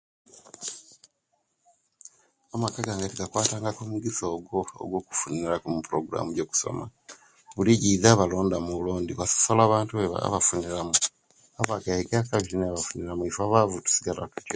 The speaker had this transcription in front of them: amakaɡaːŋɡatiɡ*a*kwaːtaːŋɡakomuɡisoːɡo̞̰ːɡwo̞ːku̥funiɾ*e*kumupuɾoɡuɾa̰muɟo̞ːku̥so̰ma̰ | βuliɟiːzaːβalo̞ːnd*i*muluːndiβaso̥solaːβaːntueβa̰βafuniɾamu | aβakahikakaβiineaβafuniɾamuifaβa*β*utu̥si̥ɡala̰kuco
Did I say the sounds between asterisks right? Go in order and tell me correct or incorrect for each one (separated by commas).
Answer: correct, incorrect, incorrect, incorrect